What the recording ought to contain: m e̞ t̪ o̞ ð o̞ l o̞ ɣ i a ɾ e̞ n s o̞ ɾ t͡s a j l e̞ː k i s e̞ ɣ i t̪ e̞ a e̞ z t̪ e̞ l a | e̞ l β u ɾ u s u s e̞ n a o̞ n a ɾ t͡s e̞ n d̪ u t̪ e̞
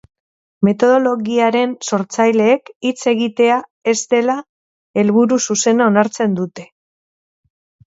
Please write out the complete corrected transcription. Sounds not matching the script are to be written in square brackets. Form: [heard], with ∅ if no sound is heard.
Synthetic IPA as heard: m e̞ t̪ o̞ ð o̞ l o̞ ɣ i a ɾ e̞ n s o̞ ɾ t͡s a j l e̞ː k i [t͡s] e̞ ɣ i t̪ e̞ a e̞ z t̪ e̞ l a | e̞ l β u ɾ u s u s e̞ n a o̞ n a ɾ t͡s e̞ n d̪ u t̪ e̞

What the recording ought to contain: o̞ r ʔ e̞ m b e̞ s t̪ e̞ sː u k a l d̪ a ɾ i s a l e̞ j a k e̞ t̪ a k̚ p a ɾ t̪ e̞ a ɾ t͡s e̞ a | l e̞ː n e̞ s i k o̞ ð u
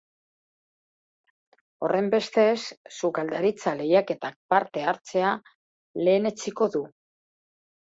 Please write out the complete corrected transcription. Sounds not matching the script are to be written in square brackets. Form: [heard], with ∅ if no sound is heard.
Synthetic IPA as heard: o̞ r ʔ e̞ m b e̞ s t̪ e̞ sː u k a l d̪ a ɾ i [t͡s] a l e̞ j a k e̞ t̪ a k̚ p a ɾ t̪ e̞ a ɾ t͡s e̞ a | l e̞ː n e̞ [t͡s] i k o̞ ð u

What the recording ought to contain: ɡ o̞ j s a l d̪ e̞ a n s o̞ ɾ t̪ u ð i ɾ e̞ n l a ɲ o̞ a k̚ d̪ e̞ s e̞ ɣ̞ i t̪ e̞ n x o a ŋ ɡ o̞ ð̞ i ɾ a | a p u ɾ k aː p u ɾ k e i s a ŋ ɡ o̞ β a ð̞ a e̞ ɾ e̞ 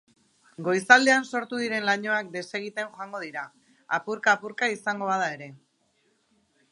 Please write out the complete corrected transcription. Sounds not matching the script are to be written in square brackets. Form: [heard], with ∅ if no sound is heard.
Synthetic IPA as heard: ɡ o̞ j s a l d̪ e̞ a n s o̞ ɾ t̪ u ð i ɾ e̞ n l a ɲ o̞ a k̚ d̪ e̞ s e̞ ɣ̞ i t̪ e̞ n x o a ŋ ɡ o̞ ð̞ i ɾ a | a p u ɾ k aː p u ɾ k [a] i s a ŋ ɡ o̞ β a ð̞ a e̞ ɾ e̞

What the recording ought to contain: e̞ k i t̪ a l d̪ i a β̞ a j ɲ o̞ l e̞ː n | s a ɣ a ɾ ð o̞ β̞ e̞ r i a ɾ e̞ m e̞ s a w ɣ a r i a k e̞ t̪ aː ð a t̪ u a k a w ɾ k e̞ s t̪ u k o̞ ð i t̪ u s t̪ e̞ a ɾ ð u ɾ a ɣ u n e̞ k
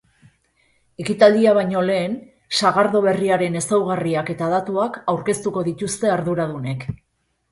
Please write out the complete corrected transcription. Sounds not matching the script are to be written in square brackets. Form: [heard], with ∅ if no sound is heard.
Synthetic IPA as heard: e̞ k i t̪ a l d̪ i a β̞ a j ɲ o̞ l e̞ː n | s a ɣ a ɾ ð o̞ β̞ e̞ r i a ɾ e̞ [n] e̞ s a w ɣ a r i a k e̞ t̪ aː ð a t̪ u a k a w ɾ k e̞ s t̪ u k o̞ ð i t̪ u s t̪ e̞ a ɾ ð u ɾ a [ð] u n e̞ k

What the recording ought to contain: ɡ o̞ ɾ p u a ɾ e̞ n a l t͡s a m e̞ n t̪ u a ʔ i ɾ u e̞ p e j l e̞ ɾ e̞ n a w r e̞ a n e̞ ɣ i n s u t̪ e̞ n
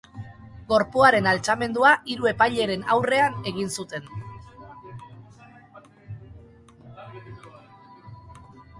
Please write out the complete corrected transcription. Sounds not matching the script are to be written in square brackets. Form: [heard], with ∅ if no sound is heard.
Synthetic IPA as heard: ɡ o̞ ɾ p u a ɾ e̞ n a l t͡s a m e̞ n [d̪] u a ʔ i ɾ u e̞ p [a] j [ʎ] e̞ ɾ e̞ n a w r e̞ a n e̞ ɣ i n s u t̪ e̞ n

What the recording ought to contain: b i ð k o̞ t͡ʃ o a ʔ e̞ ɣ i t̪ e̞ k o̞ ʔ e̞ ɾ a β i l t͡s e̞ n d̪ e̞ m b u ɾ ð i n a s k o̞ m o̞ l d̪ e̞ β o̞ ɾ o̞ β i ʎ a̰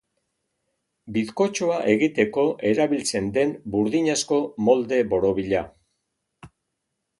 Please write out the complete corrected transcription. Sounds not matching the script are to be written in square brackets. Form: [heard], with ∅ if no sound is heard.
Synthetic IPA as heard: b i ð k o̞ t͡ʃ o a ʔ e̞ ɣ i t̪ e̞ k o̞ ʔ e̞ ɾ a β i l t͡s e̞ n d̪ e̞ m b u ɾ ð i [ɲ] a s k o̞ m o̞ l d̪ e̞ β o̞ ɾ o̞ β i ʎ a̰

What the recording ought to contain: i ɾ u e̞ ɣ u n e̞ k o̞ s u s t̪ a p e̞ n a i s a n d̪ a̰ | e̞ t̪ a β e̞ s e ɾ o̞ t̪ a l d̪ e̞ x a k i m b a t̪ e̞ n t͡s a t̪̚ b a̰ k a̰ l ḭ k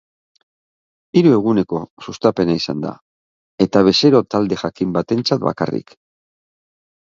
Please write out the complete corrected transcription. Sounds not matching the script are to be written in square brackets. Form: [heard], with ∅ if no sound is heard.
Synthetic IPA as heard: i ɾ u e̞ ɣ u n e̞ k o̞ s u s t̪ a p e̞ n a i s a n d̪ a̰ | e̞ t̪ a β e̞ s e ɾ o̞ t̪ a l d̪ e̞ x a k i m b a t̪ e̞ n t͡s a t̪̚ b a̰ k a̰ [r] ḭ k

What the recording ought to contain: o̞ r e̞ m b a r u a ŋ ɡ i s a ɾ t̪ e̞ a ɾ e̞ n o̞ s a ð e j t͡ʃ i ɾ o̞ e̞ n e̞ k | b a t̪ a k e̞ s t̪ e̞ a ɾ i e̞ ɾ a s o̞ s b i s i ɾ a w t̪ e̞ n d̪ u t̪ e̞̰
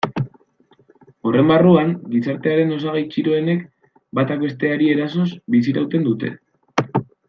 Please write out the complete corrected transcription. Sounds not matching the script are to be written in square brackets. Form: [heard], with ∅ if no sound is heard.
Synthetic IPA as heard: o̞ r e̞ m b a r u a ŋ ɡ i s a ɾ t̪ e̞ a ɾ e̞ n o̞ s a [ɣ] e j t͡ʃ i ɾ o̞ e̞ n e̞ k | b a t̪ a k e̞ s t̪ e̞ a ɾ i e̞ ɾ a s o̞ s b i s i ɾ a w t̪ e̞ n d̪ u t̪ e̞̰

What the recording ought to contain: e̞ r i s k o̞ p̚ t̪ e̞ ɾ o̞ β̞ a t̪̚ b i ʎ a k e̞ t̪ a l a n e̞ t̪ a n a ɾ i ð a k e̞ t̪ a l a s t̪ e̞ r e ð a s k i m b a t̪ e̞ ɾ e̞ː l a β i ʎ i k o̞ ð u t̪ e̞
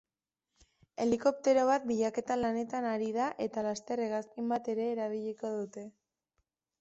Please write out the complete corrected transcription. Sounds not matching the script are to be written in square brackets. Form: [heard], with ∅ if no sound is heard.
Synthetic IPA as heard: e̞ [l] i [∅] k o̞ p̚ t̪ e̞ ɾ o̞ β̞ a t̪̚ b i ʎ a k e̞ t̪ a l a n e̞ t̪ a n a ɾ i ð a [ʔ] e̞ t̪ a l a s t̪ e̞ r e [ɣ] a s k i m b a t̪ e̞ ɾ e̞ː [ɾ] a β i ʎ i k o̞ ð u t̪ e̞

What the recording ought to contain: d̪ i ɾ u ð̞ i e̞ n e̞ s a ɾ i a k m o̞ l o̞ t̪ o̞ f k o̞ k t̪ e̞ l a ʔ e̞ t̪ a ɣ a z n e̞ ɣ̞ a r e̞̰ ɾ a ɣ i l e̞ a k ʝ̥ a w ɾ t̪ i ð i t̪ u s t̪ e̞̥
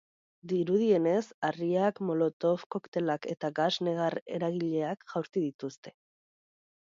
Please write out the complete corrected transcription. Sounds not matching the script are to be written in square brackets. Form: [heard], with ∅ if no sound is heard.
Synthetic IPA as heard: d̪ i ɾ u ð̞ i e̞ n e̞ s a [r] i a k m o̞ l o̞ t̪ o̞ f k o̞ k t̪ e̞ l a [k] e̞ t̪ a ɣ a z n e̞ ɣ̞ a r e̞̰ ɾ a ɣ i [ʎ] e̞ a k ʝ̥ a w ɾ t̪ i ð i t̪ u s t̪ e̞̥

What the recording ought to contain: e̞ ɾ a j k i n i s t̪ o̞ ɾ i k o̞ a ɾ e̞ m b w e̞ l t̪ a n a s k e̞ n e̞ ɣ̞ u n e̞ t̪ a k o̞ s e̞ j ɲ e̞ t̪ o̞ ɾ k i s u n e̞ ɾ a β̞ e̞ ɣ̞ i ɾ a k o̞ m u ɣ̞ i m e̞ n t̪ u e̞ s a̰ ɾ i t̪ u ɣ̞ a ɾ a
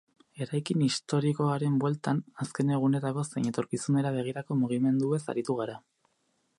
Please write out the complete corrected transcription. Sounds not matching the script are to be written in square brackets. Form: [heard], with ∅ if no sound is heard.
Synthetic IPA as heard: e̞ ɾ a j k i n i s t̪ o̞ ɾ i k o̞ a ɾ e̞ m b w e̞ l t̪ a n a s k e̞ n e̞ ɣ̞ u n e̞ t̪ a k o̞ s e̞ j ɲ e̞ t̪ o̞ ɾ k i s u n e̞ ɾ a β̞ e̞ ɣ̞ i ɾ a k o̞ m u ɣ̞ i m e̞ n [d̪] u e̞ s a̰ ɾ i t̪ u ɣ̞ a ɾ a

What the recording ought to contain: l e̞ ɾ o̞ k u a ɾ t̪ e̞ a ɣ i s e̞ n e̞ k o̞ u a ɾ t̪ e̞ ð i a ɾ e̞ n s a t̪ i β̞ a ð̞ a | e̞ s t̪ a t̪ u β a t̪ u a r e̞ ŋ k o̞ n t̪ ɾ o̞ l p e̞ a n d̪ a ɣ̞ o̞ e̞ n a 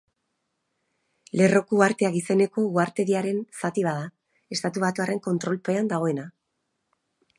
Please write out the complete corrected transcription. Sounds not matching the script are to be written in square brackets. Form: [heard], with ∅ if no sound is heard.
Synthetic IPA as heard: l e̞ [r] o̞ k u a ɾ t̪ e̞ a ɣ i s e̞ n e̞ k o̞ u a ɾ t̪ e̞ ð i a ɾ e̞ n s a t̪ i β̞ a ð̞ a | e̞ s t̪ a t̪ u β a t̪ u a r e̞ ŋ k o̞ n t̪ ɾ o̞ l p e̞ a n d̪ a ɣ̞ o̞ e̞ n a

